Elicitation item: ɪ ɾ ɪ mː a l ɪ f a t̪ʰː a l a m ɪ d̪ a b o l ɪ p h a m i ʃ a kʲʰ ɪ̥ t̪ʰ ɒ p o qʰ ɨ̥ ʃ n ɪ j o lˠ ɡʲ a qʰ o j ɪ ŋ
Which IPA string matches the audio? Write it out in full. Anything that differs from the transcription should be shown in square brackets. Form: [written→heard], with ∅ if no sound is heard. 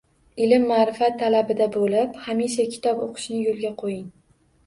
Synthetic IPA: ɪ [ɾ→l] ɪ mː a [l→ɾ] ɪ f a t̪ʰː a l a [m→b] ɪ d̪ a b o l ɪ p h a m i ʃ a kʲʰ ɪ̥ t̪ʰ ɒ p o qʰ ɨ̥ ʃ n ɪ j o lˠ ɡʲ a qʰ o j ɪ ŋ